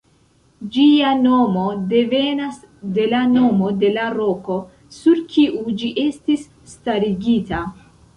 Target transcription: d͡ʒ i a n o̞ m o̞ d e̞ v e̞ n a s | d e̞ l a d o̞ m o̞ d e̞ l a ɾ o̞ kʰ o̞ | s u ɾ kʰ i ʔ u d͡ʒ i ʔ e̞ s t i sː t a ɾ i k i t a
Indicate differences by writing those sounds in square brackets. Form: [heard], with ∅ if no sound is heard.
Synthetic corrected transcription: d͡ʒ i a n o̞ m o̞ d e̞ v e̞ n a s | d e̞ l a [n] o̞ m o̞ d e̞ l a ɾ o̞ [k] o̞ | s u ɾ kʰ i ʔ u d͡ʒ i ʔ e̞ s t i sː t a ɾ i [ɡ] i t a